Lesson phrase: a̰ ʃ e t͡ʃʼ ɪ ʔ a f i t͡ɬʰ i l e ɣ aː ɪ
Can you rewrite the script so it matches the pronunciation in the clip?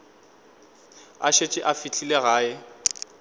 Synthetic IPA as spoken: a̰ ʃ e t͡ʃʼ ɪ ʔ a f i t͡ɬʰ i l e ɣ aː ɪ